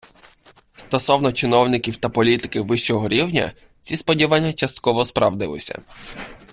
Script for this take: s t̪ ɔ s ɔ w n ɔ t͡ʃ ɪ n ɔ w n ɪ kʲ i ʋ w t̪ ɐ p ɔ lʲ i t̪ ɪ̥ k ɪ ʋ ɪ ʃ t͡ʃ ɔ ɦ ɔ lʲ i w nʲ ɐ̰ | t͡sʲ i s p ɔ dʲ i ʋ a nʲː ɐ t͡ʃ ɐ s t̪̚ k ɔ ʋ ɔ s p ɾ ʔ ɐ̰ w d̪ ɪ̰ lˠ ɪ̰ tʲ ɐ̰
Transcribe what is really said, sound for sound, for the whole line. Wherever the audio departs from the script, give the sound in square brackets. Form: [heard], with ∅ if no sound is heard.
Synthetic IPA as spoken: s t̪ ɔ s ɔ w n ɔ t͡ʃ ɪ n ɔ w n ɪ kʲ i [∅] w t̪ ɐ p ɔ lʲ i t̪ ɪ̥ k ɪ ʋ ɪ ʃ t͡ʃ ɔ ɦ ɔ [ɾʲ] i w nʲ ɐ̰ | t͡sʲ i s p ɔ dʲ i ʋ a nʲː ɐ t͡ʃ ɐ s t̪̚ k ɔ ʋ ɔ s p ɾ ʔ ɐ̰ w d̪ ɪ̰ lˠ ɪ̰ [sʲ] ɐ̰